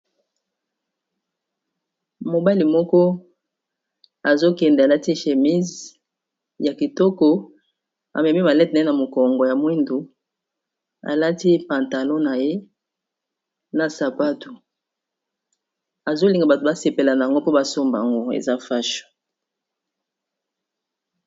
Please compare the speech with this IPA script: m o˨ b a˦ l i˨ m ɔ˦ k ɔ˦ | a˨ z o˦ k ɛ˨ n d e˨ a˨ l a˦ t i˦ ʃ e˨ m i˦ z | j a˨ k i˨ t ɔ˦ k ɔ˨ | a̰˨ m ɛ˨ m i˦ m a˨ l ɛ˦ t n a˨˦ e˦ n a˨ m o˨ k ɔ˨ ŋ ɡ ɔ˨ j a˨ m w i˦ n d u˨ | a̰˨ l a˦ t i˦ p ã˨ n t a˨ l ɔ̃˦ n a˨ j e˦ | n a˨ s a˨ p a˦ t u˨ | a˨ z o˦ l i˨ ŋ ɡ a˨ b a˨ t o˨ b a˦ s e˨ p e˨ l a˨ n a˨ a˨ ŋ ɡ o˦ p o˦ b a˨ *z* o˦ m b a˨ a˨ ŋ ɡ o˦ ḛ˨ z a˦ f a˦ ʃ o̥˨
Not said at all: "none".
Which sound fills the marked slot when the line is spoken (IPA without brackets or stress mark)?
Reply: s